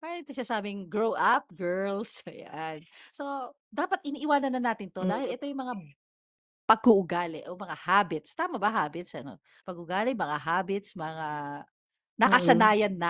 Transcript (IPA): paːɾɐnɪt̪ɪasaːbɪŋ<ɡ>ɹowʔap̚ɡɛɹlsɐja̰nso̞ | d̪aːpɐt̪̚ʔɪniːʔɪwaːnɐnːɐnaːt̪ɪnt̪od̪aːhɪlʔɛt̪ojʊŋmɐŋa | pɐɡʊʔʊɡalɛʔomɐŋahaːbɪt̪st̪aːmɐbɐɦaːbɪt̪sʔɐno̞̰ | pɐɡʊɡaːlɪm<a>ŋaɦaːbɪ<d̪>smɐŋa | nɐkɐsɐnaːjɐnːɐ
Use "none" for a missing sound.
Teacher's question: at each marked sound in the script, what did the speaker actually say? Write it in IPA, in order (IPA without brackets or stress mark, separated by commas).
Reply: ɡ, ɐ, t̪